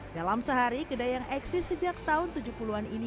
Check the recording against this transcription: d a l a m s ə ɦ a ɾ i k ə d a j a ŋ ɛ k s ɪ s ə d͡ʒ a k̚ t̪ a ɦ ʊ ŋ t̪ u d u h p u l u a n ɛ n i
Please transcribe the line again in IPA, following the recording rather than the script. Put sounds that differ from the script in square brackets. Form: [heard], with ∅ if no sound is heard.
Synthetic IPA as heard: d a l a m s ə ɦ a ɾ i k ə d a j a ŋ ɛ k s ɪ s ə d͡ʒ a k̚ t̪ a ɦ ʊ [n] t̪ u [d͡ʒ] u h p u l u a n [i] n i